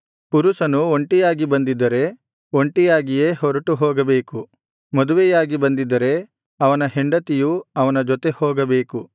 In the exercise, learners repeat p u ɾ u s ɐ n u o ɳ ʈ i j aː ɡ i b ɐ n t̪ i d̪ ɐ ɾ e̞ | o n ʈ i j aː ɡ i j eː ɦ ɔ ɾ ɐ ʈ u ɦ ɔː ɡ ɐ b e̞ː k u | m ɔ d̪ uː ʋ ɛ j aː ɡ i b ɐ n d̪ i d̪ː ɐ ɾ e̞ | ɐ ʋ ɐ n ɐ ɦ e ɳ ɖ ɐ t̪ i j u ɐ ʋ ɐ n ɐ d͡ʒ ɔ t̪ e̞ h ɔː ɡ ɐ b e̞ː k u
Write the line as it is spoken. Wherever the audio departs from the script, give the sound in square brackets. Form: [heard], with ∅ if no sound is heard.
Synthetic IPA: p u ɾ u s ɐ n u o ɳ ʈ i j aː ɡ i b ɐ n [d̪] i d̪ ɐ ɾ e̞ | o [ɳ] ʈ i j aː ɡ i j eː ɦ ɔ ɾ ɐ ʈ u ɦ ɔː ɡ ɐ b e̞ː k u | m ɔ d̪ [u] ʋ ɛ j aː ɡ i b ɐ n d̪ i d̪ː ɐ ɾ e̞ | ɐ ʋ ɐ n ɐ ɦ e ɳ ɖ ɐ t̪ i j u ɐ ʋ ɐ n ɐ d͡ʒ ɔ t̪ e̞ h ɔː ɡ ɐ b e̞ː k u